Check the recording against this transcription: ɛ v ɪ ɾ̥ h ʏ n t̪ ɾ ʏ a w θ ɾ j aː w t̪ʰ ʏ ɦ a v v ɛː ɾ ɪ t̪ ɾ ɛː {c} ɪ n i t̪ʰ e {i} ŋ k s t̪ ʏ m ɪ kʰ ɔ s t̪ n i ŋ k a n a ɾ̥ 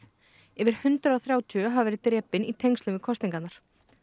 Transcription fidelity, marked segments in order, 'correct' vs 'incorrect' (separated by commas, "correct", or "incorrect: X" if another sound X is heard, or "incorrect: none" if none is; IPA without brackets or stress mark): incorrect: p, incorrect: j